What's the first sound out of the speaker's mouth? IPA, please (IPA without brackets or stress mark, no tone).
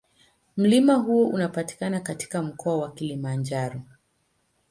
m̩